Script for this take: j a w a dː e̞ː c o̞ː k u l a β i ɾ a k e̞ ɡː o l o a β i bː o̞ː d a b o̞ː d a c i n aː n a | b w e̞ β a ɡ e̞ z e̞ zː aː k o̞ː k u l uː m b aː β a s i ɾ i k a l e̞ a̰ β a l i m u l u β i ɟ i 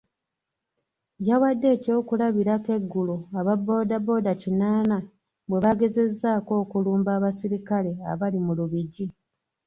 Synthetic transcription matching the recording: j a w a dː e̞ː c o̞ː k u l a β i ɾ a k e̞ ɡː u l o a β a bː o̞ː d a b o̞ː d a c i n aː n a | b w e̞ β a ɡ e̞ z e̞ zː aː k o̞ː k u l uː m b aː β a s i ɾ i k a l e̞ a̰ β a l i m u l u β i ɟ i